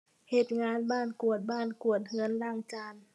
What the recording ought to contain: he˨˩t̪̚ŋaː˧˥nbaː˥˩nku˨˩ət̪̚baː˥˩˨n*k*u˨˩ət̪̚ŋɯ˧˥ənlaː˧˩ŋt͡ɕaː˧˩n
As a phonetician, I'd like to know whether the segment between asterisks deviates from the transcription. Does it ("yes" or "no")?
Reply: no